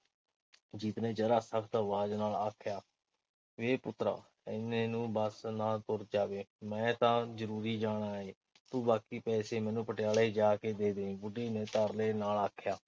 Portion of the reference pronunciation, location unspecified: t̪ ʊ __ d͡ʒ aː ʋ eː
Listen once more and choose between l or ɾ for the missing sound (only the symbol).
ɾ